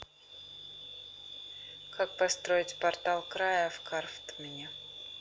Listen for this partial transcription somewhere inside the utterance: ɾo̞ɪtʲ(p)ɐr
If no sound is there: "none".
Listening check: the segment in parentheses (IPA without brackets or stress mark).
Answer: p